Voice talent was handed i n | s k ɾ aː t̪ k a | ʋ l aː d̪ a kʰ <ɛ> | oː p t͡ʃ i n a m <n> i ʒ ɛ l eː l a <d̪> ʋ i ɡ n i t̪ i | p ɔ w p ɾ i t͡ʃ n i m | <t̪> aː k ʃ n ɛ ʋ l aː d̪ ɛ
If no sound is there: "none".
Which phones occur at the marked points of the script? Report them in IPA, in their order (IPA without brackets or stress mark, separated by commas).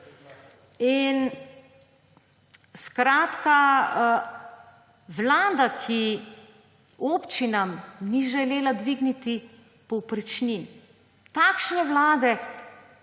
i, n, d̪, t̪